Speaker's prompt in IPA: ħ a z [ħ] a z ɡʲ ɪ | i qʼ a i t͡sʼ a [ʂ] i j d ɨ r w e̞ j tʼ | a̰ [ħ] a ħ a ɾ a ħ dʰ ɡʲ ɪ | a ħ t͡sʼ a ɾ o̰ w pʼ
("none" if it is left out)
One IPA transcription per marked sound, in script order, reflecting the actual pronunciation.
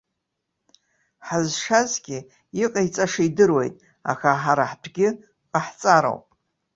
ʂ, ʂ, x

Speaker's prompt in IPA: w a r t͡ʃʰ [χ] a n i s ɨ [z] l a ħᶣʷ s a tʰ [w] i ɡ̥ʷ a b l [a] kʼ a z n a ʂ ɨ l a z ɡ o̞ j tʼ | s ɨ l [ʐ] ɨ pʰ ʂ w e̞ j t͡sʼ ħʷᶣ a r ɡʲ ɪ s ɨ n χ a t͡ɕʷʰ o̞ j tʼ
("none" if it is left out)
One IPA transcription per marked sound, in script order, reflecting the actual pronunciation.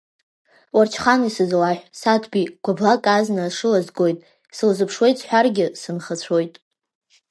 χ, z, b, a, z

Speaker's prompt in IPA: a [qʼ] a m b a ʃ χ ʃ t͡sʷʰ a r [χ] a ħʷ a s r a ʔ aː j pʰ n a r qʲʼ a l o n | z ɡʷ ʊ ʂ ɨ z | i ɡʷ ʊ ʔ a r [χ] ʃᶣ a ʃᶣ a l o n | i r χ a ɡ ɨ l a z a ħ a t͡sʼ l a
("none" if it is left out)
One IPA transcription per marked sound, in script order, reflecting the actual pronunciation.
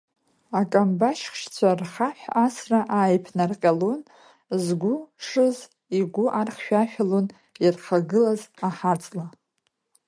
kʼ, χ, χ

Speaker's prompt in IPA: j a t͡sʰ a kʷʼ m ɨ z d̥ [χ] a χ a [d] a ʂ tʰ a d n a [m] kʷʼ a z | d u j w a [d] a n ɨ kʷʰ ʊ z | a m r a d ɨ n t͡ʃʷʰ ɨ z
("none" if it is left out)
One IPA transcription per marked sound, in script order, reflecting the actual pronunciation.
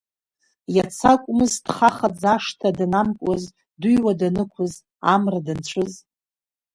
χ, d͡z, m, d

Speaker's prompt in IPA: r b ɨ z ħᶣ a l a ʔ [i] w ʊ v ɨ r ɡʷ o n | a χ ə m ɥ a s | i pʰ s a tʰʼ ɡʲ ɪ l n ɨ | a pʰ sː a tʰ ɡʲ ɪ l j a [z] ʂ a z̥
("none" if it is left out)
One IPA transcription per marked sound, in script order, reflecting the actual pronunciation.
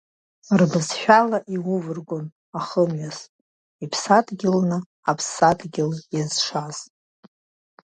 i, z

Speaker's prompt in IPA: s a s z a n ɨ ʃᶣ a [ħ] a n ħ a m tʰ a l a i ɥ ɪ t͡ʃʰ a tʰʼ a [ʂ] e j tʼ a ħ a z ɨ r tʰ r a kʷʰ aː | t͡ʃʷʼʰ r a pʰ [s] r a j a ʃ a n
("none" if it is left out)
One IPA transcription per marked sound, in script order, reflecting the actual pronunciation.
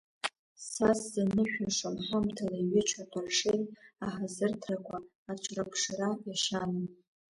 ʂ, ʂ, ʂ

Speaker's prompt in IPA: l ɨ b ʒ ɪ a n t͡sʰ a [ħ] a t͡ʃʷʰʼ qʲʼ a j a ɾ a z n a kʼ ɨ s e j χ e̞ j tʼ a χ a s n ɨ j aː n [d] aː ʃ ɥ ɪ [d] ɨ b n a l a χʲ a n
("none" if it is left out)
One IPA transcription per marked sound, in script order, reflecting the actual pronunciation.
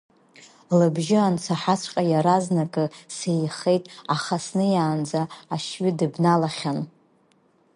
ħ, d͡z, d

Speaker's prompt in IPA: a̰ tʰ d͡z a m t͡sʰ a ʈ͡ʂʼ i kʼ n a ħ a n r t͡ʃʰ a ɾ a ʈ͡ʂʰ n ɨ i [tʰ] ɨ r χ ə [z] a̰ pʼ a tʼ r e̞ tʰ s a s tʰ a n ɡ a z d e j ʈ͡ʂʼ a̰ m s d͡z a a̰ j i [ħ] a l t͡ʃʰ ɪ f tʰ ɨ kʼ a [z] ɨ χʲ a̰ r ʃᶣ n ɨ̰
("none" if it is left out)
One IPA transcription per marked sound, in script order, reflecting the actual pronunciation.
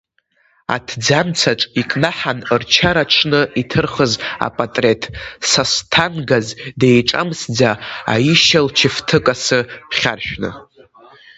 tʰ, z, ʃ, s

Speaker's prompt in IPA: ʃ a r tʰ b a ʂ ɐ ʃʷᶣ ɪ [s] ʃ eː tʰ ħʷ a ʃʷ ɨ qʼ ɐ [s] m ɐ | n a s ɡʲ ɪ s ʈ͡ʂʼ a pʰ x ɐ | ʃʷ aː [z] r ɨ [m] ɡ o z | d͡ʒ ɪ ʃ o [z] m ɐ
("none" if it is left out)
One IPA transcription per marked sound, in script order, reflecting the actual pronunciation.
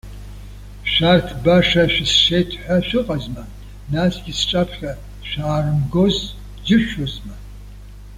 s, z, none, m, z

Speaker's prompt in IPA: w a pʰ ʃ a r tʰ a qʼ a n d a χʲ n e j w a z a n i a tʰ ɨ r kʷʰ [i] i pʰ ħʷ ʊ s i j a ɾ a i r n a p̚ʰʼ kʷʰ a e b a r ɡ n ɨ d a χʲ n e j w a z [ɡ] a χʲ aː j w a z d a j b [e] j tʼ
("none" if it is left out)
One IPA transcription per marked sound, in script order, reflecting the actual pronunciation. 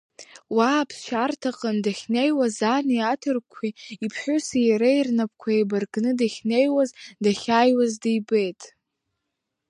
i, d, e

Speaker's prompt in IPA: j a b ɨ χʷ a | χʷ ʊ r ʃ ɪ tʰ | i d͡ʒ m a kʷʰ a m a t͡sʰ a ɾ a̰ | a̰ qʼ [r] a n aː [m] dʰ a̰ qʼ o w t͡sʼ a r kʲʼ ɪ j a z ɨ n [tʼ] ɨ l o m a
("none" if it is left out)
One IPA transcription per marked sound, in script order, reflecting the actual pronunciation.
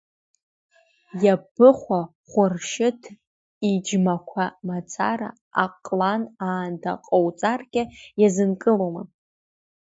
l, n, kʼ

